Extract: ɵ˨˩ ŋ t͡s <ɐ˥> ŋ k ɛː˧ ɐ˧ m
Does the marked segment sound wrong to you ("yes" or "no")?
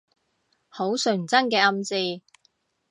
no